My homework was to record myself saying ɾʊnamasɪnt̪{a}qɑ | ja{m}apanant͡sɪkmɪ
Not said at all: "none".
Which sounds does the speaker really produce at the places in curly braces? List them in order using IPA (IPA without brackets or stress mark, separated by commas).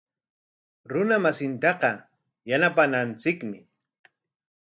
ɑ, n